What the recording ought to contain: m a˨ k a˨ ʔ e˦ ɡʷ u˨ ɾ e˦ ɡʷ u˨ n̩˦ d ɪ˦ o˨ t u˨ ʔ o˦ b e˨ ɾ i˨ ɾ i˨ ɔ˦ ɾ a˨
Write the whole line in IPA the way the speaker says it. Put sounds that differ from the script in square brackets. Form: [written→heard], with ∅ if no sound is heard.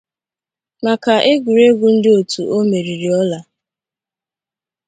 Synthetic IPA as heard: m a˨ k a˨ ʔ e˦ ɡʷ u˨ ɾ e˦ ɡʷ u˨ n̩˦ d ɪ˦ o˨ t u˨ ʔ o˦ [b→m] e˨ ɾ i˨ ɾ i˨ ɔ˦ [ɾ→l] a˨